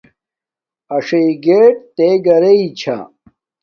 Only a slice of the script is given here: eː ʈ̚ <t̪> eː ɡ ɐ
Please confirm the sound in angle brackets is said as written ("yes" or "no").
yes